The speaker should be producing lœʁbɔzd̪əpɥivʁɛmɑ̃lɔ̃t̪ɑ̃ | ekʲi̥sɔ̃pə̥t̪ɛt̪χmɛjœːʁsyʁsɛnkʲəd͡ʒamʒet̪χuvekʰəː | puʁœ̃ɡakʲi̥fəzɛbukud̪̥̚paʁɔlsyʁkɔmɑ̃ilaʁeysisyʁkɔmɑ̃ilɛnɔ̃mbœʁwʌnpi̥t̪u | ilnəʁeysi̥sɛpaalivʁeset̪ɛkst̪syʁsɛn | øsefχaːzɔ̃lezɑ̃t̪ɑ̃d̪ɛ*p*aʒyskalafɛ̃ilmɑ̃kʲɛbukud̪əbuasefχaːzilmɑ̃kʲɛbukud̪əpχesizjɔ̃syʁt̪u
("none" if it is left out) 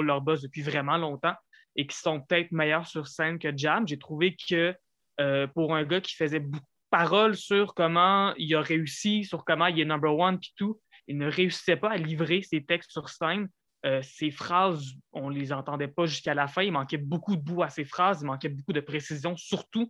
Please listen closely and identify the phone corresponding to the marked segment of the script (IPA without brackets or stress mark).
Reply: p